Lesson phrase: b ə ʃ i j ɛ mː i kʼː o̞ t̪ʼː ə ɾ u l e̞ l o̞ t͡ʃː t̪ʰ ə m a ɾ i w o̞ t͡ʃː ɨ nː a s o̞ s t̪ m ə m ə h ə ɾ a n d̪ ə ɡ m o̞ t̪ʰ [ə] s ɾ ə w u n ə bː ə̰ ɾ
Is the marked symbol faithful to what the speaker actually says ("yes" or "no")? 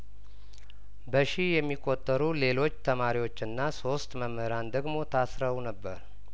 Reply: no